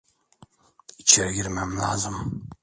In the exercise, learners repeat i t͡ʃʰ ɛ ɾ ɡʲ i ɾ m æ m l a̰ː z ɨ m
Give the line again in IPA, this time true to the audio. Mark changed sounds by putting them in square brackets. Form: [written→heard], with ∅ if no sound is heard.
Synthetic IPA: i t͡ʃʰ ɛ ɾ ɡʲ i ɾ m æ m l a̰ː z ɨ m